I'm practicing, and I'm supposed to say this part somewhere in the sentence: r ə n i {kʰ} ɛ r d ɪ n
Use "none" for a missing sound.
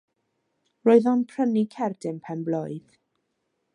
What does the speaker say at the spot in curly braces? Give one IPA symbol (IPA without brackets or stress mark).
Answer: kʰ